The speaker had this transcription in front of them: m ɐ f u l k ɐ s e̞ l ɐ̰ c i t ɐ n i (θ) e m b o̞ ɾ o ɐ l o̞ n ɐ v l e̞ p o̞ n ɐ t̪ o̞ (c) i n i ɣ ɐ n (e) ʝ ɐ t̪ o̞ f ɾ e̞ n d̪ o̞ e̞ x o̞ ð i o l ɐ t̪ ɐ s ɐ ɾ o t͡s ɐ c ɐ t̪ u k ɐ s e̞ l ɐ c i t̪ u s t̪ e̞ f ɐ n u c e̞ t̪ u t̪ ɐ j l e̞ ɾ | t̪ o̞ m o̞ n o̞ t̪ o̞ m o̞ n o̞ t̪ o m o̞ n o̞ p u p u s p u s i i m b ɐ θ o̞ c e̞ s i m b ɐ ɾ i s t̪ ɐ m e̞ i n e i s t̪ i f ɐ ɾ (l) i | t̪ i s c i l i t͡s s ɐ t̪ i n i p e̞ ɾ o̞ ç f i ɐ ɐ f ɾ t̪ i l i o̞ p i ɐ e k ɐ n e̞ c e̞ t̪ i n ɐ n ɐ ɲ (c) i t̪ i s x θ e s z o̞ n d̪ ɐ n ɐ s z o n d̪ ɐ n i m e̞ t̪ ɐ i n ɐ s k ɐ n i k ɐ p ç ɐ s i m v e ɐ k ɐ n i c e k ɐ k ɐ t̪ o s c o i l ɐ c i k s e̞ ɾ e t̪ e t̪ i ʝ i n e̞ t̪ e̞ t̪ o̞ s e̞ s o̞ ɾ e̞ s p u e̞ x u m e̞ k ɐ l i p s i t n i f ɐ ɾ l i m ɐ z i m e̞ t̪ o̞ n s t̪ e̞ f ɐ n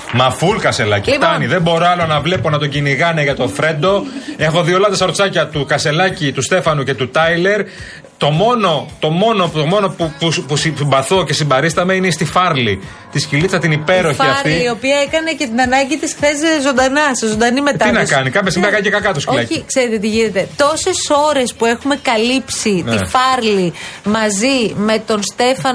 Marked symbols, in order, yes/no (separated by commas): no, no, yes, yes, no